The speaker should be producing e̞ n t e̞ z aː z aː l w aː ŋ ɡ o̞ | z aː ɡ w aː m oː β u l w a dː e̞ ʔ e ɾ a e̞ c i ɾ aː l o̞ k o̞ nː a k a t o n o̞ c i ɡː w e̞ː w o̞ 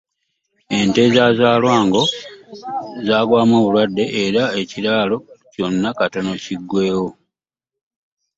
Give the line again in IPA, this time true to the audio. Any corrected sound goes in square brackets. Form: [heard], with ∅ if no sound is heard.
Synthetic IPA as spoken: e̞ n t e̞ z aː z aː l w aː ŋ ɡ o̞ | z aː ɡ w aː m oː β u l w a dː e̞ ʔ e ɾ a e̞ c i ɾ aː l o̞ [c] o̞ nː a k a t o n o̞ c i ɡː w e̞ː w o̞